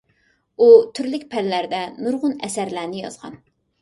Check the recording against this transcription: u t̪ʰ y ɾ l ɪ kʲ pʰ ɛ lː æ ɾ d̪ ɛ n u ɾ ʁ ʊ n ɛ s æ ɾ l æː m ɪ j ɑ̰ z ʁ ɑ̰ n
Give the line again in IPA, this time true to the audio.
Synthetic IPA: u t̪ʰ y ɾ l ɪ kʲ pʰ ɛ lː æ ɾ d̪ ɛ n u ɾ ʁ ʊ n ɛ s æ ɾ l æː n ɪ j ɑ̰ z ʁ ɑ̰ n